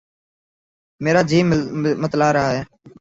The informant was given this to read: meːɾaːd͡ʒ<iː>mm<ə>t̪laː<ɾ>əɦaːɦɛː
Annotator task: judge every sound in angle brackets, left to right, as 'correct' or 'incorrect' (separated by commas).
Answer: correct, correct, correct